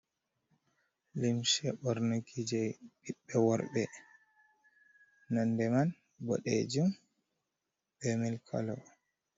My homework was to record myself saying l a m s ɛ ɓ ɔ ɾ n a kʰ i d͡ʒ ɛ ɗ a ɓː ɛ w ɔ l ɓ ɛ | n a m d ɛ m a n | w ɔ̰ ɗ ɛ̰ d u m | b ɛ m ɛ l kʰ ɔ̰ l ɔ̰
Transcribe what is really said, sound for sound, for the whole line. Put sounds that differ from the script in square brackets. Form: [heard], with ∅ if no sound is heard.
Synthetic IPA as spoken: l [i] m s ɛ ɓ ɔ ɾ n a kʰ i d͡ʒ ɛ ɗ [i] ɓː ɛ w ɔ [ɾ] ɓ ɛ | n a [n] d ɛ m a n | [b] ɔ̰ ɗ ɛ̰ [d͡ʒ] u m | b ɛ m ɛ l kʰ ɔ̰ l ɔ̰